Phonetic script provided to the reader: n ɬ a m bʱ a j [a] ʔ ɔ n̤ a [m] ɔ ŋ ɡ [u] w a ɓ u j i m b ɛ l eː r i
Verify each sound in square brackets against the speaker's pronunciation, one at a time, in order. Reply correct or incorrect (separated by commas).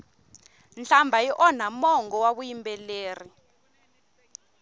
incorrect, correct, incorrect